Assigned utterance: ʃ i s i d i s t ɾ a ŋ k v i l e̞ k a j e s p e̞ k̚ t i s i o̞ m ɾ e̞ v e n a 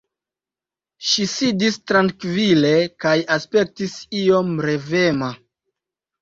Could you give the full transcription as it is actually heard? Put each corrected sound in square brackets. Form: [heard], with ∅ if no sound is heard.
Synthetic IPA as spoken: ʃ i s i d i s t ɾ a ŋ k v i l e̞ k a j [a] s p e̞ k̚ t i s i o̞ m ɾ e̞ v e [m] a